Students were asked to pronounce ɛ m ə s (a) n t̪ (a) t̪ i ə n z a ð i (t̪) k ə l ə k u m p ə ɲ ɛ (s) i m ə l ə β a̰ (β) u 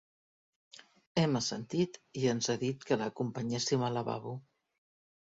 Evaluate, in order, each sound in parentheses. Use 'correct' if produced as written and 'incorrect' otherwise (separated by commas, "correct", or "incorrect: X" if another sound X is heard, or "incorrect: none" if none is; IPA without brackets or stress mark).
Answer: incorrect: ə, incorrect: i, correct, correct, correct